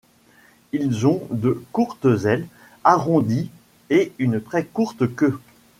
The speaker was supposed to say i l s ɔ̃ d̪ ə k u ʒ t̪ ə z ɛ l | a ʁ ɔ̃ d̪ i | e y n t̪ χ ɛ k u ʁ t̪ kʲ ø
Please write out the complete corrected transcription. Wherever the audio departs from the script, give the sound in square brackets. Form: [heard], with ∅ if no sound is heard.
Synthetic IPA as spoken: i l [z] ɔ̃ d̪ ə k u [ʁ] t̪ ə z ɛ l | a ʁ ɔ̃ d̪ i | e y n t̪ χ ɛ k u ʁ t̪ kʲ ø